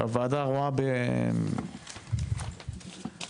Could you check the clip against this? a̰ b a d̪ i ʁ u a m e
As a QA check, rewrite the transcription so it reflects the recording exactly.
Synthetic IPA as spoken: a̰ v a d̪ a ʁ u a b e